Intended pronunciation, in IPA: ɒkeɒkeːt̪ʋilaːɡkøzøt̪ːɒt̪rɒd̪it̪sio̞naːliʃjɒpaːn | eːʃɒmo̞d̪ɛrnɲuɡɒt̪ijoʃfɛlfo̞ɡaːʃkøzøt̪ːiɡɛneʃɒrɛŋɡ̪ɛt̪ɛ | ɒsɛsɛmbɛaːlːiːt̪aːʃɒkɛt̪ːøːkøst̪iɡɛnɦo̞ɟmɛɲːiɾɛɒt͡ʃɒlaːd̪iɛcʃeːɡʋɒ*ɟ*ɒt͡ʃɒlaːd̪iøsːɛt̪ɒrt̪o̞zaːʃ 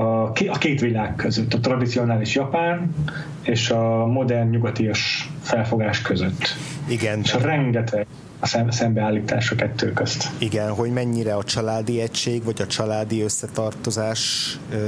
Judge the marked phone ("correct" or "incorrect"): correct